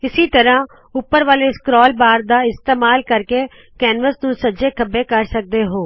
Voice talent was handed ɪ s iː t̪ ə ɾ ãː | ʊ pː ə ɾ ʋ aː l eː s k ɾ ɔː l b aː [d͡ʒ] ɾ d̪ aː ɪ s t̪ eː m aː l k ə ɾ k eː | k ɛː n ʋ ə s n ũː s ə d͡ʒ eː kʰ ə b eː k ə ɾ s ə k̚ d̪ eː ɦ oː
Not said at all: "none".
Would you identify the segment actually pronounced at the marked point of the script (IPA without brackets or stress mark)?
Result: none